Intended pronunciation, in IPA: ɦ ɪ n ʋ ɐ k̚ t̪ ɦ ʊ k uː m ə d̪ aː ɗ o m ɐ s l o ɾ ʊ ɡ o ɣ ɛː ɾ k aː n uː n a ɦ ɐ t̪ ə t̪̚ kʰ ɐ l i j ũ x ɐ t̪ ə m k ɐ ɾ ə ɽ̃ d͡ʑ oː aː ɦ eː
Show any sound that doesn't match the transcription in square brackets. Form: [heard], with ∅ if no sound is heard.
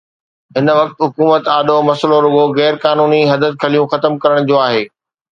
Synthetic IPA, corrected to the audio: ɦ ɪ n ʋ ɐ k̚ t̪ ɦ ʊ k uː m ə [t̪] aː ɗ o m ɐ s l o ɾ ʊ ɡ o ɣ ɛː ɾ k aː n uː n [i] ɦ ɐ [d̪] ə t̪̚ kʰ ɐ l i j ũ x ɐ t̪ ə m k ɐ ɾ ə ɽ̃ d͡ʑ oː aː ɦ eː